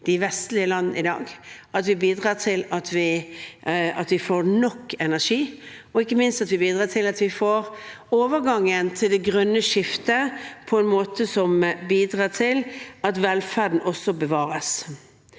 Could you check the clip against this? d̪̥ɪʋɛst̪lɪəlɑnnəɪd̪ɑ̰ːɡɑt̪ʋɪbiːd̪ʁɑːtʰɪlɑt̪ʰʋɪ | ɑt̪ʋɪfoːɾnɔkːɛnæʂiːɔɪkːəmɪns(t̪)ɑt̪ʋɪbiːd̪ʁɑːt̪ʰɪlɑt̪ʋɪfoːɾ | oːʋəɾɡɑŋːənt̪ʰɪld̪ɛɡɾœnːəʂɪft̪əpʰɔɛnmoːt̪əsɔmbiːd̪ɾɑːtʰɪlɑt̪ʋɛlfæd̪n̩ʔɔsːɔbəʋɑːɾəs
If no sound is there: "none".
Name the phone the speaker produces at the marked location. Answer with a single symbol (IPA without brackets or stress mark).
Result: t̪